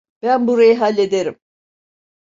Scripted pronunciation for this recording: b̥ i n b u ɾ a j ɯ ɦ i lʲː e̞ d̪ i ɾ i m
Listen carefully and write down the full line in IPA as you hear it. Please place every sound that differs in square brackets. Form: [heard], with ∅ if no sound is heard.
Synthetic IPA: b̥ [æ] n b u ɾ a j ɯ ɦ [a] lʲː e̞ d̪ [e] ɾ i m